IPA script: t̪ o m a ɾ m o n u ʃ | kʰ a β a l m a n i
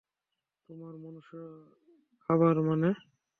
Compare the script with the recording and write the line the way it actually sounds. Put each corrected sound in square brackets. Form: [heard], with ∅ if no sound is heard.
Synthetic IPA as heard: t̪ o m a ɾ m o n u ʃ | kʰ a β a [ɾ] m a n [e]

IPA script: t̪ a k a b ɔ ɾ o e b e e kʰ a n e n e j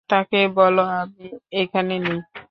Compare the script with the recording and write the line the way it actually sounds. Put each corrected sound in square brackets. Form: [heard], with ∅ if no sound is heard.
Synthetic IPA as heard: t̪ a k [e] b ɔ [l] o [a] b [i] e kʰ a n e n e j

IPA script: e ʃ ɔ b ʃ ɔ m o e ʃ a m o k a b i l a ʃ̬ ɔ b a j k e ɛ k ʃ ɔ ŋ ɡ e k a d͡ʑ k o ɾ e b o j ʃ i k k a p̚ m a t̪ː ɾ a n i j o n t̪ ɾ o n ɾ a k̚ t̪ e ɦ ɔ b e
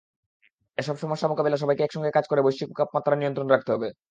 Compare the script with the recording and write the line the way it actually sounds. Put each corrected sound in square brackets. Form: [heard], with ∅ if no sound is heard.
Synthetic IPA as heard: e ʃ ɔ b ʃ ɔ m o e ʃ a m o k a b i l a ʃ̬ ɔ b a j k e ɛ k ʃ ɔ ŋ ɡ e k a d͡ʑ k o ɾ e b o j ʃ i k k a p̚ m a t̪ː ɾ a n i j o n t̪ ɾ o n ɾ a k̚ t̪ e ɦ ɔ b e

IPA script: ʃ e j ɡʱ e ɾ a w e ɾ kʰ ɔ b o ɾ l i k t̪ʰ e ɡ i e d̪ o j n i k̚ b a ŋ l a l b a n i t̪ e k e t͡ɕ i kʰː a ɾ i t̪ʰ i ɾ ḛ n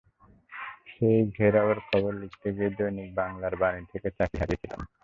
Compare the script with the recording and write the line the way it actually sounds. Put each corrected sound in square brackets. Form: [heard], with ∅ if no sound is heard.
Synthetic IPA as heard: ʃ e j ɡʱ e ɾ a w e ɾ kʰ ɔ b o ɾ l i k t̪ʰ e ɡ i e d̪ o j n i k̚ b a ŋ l a [ɾ] b a n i [t̪ʰ] e k e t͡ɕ [a] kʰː a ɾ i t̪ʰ i [l] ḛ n

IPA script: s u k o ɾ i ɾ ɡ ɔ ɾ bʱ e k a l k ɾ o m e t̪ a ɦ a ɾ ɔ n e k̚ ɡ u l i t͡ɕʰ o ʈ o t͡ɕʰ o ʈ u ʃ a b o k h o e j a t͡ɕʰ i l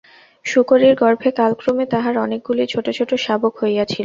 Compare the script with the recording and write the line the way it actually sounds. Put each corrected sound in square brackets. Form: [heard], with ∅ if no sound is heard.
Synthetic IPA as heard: [ʃ] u k o ɾ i ɾ ɡ ɔ ɾ bʱ e k a l k ɾ o m e t̪ a ɦ a ɾ ɔ n e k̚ ɡ u l i t͡ɕʰ o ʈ o t͡ɕʰ o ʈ [o] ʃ a b o k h o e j a t͡ɕʰ i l

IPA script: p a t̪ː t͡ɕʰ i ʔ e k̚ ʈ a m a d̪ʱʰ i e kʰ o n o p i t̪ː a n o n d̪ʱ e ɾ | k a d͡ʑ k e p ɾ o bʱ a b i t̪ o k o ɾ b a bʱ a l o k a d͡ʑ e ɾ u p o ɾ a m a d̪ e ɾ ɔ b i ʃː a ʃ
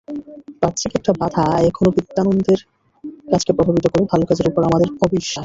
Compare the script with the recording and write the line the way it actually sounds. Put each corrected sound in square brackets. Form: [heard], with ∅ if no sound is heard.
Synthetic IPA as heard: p a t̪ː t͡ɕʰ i [k] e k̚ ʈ a [b] a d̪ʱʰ [a] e kʰ o n o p i t̪ː a n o n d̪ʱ e ɾ | k a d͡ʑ k e p ɾ o bʱ a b i t̪ o k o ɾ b [e] bʱ a l o k a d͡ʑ e ɾ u p o ɾ a m a d̪ e ɾ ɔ b i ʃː a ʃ

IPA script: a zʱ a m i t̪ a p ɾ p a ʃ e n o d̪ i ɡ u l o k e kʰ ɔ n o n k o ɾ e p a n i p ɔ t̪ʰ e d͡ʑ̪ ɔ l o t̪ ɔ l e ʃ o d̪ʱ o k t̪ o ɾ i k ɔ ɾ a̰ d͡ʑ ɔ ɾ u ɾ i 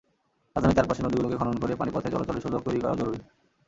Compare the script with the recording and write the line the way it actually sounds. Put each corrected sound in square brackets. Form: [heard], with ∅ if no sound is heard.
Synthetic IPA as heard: a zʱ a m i t̪ a [∅] ɾ p a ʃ e n o d̪ i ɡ u l o k e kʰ ɔ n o n k o ɾ e p a n i p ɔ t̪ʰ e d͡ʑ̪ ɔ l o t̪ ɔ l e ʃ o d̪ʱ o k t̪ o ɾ i k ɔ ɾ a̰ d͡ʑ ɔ ɾ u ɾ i

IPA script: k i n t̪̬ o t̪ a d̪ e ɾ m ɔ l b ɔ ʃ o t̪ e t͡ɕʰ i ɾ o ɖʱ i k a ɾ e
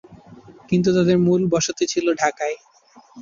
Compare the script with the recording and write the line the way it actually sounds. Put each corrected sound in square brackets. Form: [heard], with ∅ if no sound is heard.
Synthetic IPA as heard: k i n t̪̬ [u] t̪ a d̪ e ɾ m [u] l b ɔ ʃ o t̪ e t͡ɕʰ i [l] o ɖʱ [a] k a [∅] e

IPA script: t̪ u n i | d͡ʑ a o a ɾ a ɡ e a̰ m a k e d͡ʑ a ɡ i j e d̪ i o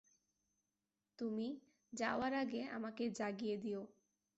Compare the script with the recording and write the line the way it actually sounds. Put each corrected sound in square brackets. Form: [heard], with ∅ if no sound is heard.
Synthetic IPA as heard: t̪ u [m] i | d͡ʑ a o a ɾ a ɡ e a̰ m a k e d͡ʑ a ɡ i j e d̪ i o

